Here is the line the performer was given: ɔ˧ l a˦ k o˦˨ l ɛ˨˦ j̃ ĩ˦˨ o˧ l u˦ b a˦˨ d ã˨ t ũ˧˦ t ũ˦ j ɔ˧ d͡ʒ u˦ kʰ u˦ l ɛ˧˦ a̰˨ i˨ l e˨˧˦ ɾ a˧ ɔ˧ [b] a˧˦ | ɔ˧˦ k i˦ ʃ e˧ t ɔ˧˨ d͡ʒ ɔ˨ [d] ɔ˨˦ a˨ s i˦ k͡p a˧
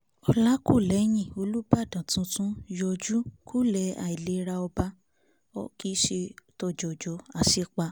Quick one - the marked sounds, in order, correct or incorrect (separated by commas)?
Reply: correct, incorrect